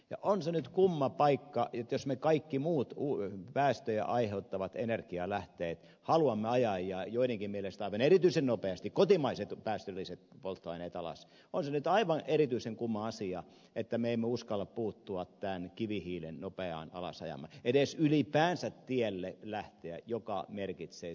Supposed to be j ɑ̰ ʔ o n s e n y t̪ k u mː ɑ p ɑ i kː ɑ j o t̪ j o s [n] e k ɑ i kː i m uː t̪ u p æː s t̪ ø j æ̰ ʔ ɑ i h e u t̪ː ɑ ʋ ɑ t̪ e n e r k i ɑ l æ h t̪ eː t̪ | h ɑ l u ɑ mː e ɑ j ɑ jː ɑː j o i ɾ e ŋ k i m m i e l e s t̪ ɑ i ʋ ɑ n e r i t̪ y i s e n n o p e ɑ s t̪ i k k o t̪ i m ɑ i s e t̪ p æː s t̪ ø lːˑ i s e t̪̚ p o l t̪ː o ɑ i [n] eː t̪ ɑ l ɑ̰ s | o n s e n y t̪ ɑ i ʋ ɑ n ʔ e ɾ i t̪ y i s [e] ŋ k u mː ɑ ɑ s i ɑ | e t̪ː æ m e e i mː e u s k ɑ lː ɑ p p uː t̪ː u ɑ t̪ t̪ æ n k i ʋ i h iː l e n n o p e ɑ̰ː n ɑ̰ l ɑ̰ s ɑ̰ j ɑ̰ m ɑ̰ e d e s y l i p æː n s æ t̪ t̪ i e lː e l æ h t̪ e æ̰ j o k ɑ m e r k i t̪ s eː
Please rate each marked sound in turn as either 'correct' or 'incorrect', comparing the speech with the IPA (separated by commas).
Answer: incorrect, correct, correct